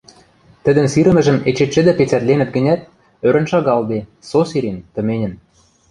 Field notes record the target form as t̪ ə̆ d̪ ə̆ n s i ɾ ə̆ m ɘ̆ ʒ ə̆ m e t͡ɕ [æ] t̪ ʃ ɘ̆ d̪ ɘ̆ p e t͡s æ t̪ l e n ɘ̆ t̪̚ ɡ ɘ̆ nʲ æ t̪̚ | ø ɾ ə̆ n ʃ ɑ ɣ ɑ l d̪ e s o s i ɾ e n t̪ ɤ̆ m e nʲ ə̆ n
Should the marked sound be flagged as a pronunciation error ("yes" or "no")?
yes